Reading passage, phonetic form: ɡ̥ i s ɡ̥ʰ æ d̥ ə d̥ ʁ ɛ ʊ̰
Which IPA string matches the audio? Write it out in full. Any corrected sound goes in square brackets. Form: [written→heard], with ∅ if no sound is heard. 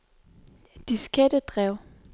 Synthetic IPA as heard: [ɡ̥→d̥] i s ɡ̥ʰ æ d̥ ə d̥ ʁ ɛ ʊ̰